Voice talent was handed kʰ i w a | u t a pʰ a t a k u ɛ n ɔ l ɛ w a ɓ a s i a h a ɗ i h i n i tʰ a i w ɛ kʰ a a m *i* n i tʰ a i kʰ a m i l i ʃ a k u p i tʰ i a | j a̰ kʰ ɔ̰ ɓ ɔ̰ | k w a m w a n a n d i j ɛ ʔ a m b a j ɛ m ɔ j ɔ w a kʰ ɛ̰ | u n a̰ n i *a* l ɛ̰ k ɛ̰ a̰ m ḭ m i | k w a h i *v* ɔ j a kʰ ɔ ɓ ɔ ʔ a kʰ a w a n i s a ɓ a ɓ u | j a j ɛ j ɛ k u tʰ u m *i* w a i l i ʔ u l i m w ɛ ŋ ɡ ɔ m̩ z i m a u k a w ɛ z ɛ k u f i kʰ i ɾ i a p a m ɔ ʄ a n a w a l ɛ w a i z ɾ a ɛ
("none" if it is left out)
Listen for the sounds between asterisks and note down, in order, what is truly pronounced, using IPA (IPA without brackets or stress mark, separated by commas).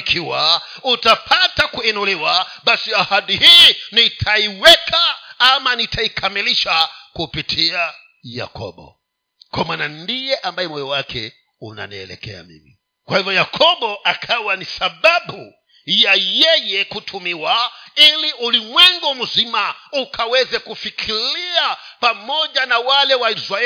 a, ɛ, v, i